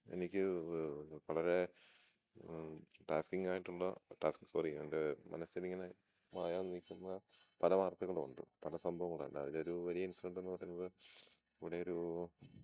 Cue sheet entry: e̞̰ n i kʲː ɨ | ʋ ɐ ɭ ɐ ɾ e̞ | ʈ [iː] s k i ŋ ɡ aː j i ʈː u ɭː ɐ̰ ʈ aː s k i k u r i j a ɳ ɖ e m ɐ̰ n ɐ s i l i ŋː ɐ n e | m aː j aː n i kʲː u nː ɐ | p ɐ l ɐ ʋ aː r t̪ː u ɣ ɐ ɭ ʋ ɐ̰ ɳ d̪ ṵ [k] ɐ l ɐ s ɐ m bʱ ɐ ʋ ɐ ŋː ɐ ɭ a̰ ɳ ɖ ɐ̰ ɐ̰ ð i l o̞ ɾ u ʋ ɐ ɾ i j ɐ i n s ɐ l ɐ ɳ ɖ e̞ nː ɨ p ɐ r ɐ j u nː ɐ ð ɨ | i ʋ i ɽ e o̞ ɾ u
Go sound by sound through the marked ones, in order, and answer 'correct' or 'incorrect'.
incorrect: aː, incorrect: p

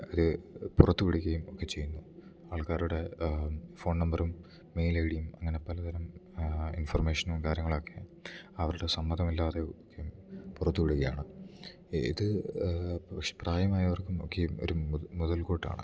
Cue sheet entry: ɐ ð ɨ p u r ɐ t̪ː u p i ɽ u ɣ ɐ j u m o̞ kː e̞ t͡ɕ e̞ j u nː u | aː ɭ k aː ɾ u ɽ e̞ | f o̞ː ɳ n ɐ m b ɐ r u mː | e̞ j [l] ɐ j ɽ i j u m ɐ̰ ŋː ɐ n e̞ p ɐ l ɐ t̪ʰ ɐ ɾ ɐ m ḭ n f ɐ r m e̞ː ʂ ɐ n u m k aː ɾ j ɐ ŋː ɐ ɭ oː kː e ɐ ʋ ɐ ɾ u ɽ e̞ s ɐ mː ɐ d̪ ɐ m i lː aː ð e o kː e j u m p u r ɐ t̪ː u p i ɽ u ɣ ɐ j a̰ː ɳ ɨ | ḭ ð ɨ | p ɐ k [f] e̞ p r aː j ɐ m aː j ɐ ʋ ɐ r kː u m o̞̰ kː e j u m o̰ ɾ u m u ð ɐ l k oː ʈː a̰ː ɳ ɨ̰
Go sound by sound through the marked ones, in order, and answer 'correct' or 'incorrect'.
correct, incorrect: ʂ

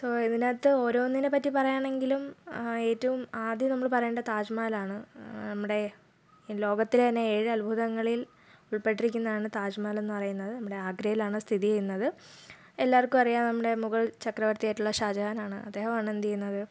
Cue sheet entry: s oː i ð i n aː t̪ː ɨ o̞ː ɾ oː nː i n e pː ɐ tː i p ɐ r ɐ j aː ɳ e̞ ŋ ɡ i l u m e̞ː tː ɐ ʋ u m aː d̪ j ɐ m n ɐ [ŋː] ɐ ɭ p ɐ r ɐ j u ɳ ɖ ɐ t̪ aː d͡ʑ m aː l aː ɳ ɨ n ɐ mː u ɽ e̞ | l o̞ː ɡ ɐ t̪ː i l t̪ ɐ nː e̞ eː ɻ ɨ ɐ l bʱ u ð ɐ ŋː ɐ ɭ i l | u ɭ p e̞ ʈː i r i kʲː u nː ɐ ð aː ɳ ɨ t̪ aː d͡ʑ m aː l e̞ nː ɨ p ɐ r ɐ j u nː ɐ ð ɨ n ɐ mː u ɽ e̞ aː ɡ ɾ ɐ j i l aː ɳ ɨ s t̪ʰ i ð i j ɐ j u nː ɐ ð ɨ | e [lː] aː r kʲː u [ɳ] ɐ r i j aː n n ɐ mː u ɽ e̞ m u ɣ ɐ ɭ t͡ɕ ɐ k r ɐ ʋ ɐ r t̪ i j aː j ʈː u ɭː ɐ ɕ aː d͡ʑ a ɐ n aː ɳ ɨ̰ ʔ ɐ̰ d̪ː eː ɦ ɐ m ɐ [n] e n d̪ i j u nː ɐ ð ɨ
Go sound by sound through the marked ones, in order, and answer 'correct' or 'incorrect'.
incorrect: mː, correct, incorrect: m, incorrect: ɳ

